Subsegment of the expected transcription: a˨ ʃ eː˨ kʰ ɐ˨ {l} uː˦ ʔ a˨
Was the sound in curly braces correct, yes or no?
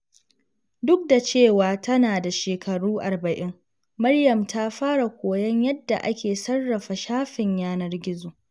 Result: no